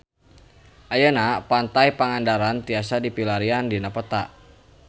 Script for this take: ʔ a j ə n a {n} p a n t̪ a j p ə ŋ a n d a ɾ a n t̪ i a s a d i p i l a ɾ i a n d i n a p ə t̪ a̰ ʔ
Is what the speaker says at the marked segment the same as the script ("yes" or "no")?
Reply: no